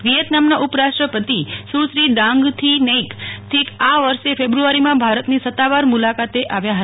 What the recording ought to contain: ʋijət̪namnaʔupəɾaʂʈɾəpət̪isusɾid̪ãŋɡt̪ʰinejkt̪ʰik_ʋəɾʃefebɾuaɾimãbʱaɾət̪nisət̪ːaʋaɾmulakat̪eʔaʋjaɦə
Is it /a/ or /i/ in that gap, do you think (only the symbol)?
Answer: a